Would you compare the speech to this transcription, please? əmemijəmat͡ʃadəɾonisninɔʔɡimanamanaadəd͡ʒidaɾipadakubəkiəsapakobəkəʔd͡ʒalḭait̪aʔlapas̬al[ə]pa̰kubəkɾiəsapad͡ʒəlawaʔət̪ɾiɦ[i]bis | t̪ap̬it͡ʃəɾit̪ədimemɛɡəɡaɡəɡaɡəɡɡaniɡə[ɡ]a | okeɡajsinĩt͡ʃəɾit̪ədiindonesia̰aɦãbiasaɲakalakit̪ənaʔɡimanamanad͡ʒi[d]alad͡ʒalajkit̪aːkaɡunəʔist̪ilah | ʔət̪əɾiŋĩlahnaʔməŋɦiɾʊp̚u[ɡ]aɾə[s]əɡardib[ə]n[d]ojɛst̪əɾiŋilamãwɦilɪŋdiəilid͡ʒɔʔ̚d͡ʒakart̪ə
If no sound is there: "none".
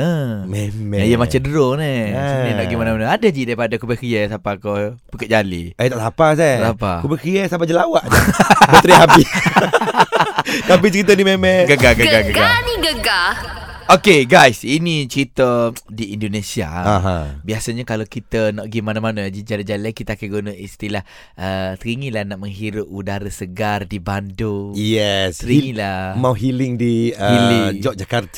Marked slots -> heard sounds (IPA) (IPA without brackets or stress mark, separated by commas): a, a, ɡ, d͡ʒ, d, s, a, d